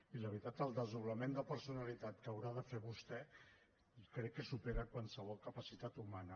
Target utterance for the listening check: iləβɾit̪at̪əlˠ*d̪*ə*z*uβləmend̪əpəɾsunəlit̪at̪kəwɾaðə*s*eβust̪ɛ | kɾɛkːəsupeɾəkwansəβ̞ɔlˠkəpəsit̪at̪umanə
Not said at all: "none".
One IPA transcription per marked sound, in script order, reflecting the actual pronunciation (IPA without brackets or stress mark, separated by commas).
d̪, z, f